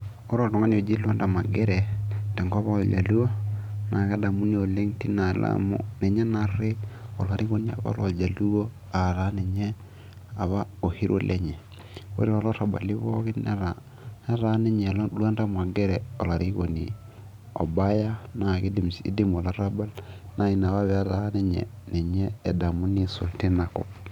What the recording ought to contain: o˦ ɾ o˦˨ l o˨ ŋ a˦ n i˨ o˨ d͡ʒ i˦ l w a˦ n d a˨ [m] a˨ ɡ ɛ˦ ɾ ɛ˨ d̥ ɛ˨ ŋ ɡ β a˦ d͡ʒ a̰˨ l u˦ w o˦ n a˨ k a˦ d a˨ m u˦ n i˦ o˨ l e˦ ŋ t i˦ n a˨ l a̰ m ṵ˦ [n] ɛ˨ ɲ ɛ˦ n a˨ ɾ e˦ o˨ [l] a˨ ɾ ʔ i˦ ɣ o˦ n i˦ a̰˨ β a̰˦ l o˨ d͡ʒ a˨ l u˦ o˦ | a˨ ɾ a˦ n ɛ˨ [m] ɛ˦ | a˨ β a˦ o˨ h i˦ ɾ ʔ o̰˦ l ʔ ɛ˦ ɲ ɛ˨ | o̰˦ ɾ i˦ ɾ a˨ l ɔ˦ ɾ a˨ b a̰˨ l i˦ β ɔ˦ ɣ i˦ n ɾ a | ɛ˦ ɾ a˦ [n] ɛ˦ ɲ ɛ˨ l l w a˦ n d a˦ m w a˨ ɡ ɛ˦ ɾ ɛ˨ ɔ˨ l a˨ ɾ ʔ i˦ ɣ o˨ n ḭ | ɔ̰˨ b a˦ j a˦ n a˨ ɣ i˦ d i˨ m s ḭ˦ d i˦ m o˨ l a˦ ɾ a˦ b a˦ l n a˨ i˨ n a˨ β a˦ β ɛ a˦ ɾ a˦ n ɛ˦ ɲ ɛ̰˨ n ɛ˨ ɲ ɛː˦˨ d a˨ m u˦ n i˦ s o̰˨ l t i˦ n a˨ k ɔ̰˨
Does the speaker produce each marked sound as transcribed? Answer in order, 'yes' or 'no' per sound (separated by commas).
yes, yes, yes, no, yes